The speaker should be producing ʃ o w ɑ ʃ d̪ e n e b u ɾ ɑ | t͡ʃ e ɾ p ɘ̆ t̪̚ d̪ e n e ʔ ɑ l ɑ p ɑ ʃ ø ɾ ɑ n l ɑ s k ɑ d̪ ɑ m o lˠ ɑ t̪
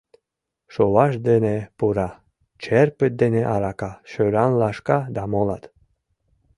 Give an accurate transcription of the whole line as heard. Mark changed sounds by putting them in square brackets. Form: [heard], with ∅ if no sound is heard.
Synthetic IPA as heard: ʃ o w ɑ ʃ d̪ e n e [p] u ɾ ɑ | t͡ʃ e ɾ p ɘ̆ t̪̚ d̪ e n e ʔ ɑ [ɾ] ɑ [k] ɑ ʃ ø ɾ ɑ n l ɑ [ʃ] k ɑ d̪ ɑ m o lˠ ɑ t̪